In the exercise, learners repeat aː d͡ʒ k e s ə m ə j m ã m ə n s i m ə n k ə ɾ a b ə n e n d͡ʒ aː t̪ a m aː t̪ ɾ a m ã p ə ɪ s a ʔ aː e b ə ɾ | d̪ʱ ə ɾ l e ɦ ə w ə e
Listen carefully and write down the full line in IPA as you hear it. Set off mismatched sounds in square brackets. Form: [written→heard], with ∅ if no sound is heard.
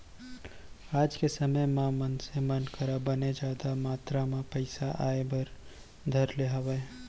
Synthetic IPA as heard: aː d͡ʒ k e s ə m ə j m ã m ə n s [i→e] m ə n k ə ɾ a b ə n e [n→∅] d͡ʒ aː [t̪→d̪] a m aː t̪ ɾ a m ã p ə ɪ s a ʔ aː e b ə ɾ | d̪ʱ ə ɾ l e ɦ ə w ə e